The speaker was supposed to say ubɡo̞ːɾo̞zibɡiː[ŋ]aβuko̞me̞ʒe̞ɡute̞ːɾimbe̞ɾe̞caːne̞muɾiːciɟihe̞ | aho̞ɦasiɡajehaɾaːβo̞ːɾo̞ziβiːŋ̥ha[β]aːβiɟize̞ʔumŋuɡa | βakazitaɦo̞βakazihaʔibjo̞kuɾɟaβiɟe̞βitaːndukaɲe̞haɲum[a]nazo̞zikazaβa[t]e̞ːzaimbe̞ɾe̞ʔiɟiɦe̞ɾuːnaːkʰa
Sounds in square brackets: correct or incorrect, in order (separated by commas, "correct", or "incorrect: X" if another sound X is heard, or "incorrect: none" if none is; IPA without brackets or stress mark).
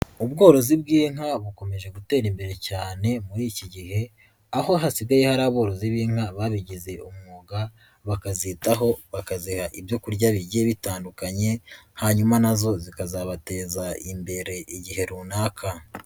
correct, correct, correct, correct